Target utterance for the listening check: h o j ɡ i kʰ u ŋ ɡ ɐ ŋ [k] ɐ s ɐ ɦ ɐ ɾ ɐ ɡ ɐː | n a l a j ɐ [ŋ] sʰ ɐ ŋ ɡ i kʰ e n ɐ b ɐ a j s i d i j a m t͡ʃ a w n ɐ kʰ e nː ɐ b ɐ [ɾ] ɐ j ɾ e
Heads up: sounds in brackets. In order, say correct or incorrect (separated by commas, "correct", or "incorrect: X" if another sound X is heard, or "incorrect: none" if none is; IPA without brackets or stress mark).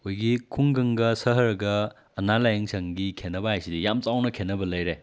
incorrect: ɡ, correct, incorrect: l